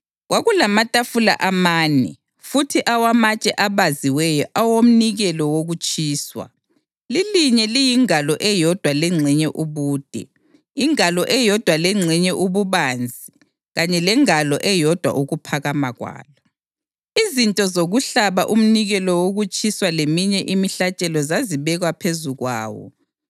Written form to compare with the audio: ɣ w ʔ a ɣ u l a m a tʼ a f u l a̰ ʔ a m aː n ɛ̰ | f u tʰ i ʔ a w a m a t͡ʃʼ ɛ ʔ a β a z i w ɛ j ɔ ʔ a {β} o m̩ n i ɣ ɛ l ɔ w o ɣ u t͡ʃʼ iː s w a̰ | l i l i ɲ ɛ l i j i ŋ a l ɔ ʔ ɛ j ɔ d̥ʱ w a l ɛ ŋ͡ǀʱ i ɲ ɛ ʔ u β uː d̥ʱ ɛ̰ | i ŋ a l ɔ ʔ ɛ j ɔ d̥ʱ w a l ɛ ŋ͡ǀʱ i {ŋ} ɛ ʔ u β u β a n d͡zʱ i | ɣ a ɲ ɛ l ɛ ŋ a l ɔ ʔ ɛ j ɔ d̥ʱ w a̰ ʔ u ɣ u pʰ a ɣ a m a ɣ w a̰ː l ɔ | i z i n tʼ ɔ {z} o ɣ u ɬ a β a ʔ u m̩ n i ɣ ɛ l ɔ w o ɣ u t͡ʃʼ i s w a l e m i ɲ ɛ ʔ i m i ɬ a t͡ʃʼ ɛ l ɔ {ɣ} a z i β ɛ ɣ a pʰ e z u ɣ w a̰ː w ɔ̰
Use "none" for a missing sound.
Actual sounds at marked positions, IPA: w, ɲ, z, z

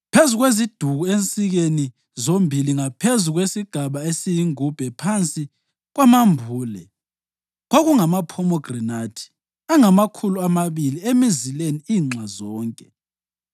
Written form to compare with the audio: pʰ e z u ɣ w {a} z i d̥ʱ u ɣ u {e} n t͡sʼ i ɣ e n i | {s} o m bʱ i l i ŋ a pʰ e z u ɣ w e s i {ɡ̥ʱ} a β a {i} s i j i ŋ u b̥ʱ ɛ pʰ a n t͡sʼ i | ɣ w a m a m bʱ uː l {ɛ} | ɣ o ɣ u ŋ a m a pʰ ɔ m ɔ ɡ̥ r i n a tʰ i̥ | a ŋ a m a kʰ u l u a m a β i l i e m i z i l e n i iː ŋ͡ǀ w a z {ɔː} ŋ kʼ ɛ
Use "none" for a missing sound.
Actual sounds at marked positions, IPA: e, e, z, ɡ̥ʱ, e, ɛ, ɔː

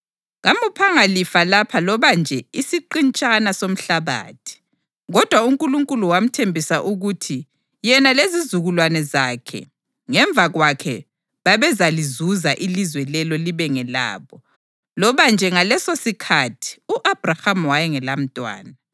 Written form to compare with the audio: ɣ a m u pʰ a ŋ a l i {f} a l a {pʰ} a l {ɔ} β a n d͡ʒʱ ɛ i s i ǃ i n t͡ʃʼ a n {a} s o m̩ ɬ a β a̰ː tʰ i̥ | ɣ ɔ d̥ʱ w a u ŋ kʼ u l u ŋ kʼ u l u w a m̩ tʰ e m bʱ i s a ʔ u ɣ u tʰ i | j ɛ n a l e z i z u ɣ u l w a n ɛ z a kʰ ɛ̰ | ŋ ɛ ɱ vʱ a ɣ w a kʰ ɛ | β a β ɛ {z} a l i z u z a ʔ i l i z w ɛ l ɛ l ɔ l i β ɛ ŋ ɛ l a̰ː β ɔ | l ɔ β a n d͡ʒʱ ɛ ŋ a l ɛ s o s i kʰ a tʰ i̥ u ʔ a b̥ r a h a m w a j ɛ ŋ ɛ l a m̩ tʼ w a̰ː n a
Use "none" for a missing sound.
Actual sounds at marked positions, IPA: f, pʰ, ɔ, a, z

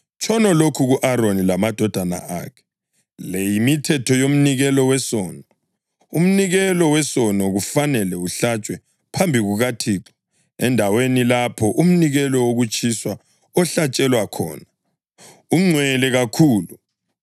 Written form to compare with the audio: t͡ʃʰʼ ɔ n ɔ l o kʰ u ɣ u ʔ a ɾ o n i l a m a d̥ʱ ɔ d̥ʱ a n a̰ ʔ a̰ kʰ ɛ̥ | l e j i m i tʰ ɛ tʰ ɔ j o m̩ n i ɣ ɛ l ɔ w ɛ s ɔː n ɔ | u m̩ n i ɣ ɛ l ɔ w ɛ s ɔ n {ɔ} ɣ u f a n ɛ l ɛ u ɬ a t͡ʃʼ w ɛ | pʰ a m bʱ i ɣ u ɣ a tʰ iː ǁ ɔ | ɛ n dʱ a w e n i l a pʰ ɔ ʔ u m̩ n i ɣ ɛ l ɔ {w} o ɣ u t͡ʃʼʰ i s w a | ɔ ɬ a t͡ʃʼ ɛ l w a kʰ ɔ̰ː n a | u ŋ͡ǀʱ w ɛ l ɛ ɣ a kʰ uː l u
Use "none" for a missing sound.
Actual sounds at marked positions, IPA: ɔ, w

